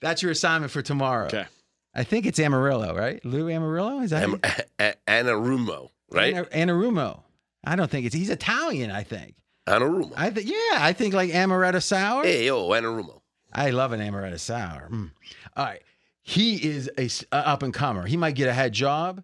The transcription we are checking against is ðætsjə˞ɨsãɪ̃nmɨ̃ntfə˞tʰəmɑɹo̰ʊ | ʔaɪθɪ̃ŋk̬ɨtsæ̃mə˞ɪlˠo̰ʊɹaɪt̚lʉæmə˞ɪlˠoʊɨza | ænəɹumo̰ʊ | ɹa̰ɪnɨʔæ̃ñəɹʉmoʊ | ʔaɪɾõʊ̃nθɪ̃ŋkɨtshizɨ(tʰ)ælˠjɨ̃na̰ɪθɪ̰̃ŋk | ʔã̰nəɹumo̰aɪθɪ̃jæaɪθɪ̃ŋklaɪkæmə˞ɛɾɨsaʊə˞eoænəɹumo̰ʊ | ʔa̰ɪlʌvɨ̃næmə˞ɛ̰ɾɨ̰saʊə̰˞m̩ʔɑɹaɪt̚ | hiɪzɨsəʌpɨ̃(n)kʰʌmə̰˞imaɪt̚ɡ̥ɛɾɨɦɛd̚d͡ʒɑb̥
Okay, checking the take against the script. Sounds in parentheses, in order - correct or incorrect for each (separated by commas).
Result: correct, correct